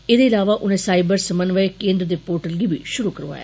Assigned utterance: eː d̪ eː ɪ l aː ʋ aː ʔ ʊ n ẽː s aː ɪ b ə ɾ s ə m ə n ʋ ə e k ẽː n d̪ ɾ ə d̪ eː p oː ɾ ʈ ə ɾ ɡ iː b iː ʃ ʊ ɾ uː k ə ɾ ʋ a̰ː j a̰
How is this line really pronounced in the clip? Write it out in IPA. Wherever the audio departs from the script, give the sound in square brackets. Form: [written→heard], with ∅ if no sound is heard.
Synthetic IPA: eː d̪ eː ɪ l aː ʋ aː ʔ ʊ n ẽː s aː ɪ b ə ɾ s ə m ə n ʋ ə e k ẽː n d̪ ɾ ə d̪ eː p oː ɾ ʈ ə [ɾ→l] ɡ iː b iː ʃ ʊ ɾ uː k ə ɾ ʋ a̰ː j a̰